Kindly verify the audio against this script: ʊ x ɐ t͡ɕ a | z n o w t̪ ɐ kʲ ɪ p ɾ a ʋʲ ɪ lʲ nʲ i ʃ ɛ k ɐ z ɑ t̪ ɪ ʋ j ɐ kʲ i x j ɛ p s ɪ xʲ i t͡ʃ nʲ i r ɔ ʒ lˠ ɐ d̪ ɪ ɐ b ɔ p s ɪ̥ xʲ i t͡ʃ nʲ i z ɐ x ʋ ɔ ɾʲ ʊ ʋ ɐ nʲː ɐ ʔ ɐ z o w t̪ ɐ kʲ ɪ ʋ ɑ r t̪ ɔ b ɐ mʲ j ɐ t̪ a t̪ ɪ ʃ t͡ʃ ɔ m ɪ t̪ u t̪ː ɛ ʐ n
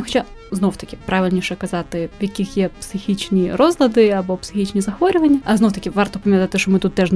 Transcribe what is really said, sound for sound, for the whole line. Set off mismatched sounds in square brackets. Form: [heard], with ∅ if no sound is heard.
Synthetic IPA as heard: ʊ x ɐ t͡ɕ a | z n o w t̪ ɐ kʲ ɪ p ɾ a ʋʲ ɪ lʲ nʲ i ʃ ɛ k ɐ z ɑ t̪ ɪ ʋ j ɐ kʲ i x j ɛ p s ɪ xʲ i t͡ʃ nʲ i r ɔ [z] lˠ ɐ d̪ ɪ ɐ b ɔ p s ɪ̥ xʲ i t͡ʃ nʲ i z ɐ x ʋ ɔ ɾʲ ʊ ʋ ɐ nʲː ɐ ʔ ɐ z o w t̪ ɐ kʲ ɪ ʋ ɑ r t̪ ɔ [p] ɐ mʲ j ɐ t̪ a t̪ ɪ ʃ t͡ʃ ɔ m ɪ t̪ u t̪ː ɛ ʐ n